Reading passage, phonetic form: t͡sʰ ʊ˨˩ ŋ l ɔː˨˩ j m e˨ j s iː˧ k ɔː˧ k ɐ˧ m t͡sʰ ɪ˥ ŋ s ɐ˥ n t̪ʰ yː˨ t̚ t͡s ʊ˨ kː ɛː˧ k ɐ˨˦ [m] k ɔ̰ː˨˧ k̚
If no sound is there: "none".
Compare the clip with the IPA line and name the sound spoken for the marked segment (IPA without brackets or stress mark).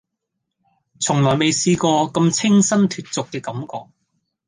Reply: m